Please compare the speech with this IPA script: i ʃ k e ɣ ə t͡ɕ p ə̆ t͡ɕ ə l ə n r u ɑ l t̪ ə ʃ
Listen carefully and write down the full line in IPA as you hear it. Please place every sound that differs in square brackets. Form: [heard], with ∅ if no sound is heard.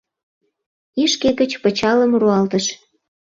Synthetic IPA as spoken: i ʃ k e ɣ ə t͡ɕ p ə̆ t͡ɕ [ɑ] l ə [m] r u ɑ l t̪ ə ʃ

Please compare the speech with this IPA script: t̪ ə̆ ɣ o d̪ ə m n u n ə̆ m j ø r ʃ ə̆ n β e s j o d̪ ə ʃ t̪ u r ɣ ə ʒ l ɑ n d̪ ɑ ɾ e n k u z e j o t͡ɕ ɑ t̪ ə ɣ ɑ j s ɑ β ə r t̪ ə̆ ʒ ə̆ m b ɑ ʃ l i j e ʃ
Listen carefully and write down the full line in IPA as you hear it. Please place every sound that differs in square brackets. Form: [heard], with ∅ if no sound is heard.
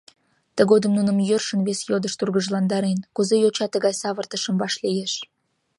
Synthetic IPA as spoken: t̪ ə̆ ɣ o d̪ ə m n u n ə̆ m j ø r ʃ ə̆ n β e s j o d̪ ə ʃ t̪ u r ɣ ə ʒ l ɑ n d̪ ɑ ɾ e n k u z e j o t͡ɕ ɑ t̪ ə ɣ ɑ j s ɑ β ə r t̪ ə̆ [ʃ] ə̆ m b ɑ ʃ l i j e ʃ

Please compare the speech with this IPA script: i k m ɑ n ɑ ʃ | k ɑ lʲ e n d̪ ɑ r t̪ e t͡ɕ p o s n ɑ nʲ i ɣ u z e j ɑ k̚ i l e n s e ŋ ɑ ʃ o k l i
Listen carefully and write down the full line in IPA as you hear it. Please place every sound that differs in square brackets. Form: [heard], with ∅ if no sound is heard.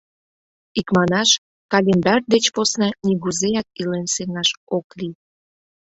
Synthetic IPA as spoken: i k m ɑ n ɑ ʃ | k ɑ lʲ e n d̪ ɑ r [d̪] e t͡ɕ p o s n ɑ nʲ i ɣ u z e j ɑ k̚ i l e n s e ŋ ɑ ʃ o k l i

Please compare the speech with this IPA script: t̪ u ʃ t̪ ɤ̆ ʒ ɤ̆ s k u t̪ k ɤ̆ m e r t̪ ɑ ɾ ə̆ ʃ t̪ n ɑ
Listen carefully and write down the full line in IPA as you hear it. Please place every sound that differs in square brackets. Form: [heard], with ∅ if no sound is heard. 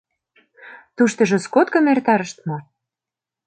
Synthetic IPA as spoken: t̪ u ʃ t̪ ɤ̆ ʒ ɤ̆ s k [o] t̪ k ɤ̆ m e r t̪ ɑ ɾ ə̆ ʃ t̪ [m] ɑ

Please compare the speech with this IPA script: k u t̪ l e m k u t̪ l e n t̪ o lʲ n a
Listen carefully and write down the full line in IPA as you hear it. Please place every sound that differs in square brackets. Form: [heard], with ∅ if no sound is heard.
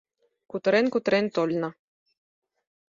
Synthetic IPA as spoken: k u t̪ [ɾ] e [n] k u t̪ [ɾ] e n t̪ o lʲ n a

